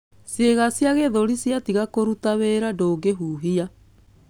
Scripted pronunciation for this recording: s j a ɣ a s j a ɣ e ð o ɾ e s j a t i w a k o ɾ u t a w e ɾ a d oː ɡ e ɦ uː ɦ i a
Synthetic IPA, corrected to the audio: s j e ɣ a s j a ɣ e ð o ɾ i s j a t i ɣ a k o ɾ u t a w e ɾ a d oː ɡ e ɦ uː ɦ i a